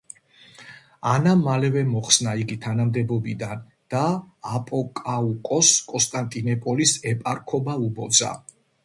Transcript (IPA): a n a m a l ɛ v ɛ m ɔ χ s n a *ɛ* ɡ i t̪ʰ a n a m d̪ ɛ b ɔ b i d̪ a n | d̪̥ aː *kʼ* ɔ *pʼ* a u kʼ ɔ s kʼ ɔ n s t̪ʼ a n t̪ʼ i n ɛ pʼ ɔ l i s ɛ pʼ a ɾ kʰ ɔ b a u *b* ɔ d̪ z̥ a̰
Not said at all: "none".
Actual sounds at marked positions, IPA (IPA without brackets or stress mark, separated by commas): i, pʼ, kʼ, b